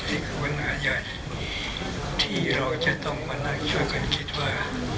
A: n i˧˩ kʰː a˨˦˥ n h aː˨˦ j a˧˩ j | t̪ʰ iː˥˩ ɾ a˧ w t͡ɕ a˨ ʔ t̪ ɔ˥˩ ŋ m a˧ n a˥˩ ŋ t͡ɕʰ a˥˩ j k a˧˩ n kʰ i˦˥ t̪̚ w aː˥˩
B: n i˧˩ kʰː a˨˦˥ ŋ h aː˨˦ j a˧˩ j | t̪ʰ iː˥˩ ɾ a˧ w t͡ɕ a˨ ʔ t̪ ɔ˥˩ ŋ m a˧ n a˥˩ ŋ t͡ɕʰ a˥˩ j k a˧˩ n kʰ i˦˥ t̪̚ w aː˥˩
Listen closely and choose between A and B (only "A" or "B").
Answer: A